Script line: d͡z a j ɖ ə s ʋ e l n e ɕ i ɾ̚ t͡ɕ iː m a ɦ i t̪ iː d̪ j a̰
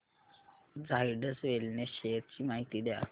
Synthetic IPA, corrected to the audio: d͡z a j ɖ ə s ʋ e l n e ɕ e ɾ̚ t͡ɕ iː m a ɦ i t̪ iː d̪ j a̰